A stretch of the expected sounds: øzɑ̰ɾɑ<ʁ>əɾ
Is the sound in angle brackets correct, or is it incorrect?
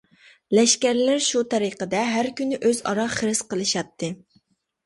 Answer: incorrect